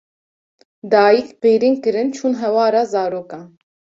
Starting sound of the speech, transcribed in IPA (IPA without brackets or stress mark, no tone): d̪